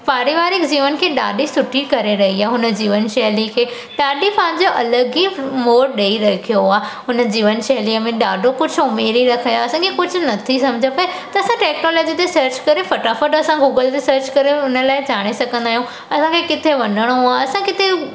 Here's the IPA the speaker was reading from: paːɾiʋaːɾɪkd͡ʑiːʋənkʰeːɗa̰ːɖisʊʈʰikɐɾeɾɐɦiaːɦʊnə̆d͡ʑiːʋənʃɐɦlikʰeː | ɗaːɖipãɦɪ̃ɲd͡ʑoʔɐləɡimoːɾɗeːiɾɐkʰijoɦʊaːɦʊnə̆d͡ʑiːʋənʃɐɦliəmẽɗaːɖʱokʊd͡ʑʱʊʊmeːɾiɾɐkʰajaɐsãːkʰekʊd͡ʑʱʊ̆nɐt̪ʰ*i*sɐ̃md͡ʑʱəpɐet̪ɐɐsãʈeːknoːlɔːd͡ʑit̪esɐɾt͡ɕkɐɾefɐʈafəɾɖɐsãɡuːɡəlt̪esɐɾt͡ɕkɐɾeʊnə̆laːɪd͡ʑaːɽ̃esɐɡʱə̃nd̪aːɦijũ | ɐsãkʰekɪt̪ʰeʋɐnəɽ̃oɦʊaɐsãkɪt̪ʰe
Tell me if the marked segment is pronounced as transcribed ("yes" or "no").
yes